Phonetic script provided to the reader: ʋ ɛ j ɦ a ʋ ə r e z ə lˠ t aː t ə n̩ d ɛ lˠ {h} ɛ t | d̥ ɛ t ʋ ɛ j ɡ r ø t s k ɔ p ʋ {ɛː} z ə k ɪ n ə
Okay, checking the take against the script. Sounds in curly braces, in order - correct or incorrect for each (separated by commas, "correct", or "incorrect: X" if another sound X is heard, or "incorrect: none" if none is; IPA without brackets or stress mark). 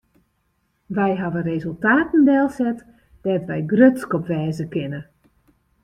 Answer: incorrect: s, correct